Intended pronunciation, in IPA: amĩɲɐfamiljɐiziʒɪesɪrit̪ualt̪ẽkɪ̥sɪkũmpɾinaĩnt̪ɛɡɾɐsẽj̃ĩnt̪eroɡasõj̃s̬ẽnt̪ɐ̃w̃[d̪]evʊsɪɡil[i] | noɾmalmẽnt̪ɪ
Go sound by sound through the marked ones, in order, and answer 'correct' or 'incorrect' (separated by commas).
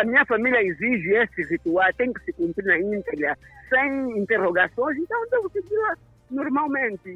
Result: correct, incorrect